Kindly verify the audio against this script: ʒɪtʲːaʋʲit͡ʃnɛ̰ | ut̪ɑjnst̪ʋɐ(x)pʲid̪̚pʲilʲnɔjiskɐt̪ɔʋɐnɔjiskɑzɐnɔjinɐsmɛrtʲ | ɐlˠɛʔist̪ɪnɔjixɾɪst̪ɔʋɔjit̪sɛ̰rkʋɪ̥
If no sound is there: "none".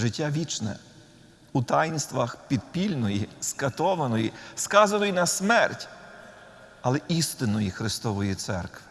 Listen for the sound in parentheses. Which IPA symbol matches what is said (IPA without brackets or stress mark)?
x